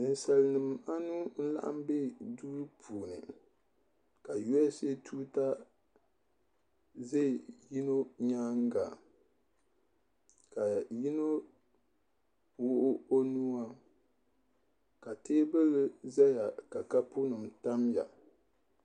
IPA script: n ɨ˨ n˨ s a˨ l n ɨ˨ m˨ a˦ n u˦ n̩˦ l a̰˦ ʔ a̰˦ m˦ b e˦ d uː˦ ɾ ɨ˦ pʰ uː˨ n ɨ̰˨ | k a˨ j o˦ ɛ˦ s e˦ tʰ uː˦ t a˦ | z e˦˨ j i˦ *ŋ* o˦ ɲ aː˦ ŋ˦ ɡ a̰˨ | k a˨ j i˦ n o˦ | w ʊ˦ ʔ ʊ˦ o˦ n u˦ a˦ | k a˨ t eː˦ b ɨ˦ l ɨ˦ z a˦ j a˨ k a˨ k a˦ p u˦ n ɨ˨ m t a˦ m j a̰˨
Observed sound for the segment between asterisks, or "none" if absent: n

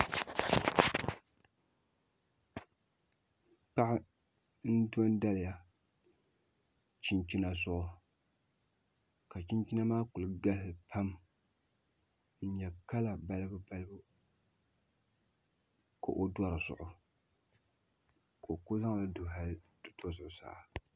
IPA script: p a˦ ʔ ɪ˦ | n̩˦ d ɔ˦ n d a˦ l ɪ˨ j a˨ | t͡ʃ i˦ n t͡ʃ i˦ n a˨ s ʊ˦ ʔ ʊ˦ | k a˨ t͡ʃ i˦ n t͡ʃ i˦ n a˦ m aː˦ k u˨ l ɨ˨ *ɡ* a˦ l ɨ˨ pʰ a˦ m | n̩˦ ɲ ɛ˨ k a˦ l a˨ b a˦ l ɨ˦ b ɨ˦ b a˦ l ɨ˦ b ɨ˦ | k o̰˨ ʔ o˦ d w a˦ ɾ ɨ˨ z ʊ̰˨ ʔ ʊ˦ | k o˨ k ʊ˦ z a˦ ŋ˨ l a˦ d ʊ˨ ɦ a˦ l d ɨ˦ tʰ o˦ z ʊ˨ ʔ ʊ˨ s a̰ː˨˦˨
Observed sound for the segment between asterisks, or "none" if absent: ɡ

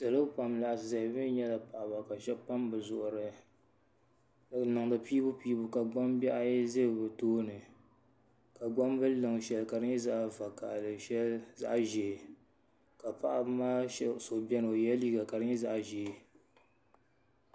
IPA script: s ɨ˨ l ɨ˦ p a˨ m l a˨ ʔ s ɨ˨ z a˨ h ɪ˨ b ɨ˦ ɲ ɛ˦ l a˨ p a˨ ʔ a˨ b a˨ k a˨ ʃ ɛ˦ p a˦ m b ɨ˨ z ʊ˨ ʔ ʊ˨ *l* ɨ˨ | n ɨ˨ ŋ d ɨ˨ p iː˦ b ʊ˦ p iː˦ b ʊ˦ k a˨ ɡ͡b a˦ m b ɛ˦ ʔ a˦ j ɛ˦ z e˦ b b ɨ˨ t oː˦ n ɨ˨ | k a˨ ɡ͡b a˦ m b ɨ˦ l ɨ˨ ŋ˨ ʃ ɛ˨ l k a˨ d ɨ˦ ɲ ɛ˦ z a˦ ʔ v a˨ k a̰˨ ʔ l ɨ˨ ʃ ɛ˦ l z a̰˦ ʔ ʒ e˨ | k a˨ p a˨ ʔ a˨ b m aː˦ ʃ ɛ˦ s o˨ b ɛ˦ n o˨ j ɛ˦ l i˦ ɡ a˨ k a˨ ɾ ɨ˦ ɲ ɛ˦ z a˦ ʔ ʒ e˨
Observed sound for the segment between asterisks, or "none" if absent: ɾ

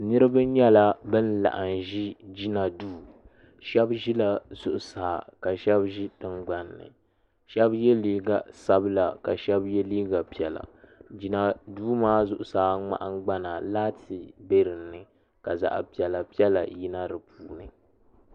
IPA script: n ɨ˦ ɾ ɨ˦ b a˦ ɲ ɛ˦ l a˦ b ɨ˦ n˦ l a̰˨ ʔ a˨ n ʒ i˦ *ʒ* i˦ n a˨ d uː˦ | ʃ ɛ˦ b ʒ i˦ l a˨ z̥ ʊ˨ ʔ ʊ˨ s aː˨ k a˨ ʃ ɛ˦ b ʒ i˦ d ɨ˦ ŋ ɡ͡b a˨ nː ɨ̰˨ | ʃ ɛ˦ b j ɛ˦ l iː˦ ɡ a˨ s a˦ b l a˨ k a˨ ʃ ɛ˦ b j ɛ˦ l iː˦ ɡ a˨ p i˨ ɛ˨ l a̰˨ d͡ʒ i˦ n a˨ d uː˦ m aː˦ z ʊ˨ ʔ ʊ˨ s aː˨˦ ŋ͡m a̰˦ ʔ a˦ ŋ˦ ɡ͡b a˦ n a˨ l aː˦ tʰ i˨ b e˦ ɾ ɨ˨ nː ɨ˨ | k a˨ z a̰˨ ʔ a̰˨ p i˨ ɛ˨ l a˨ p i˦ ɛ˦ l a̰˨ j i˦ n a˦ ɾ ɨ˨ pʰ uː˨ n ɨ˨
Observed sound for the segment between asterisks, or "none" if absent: d͡ʒ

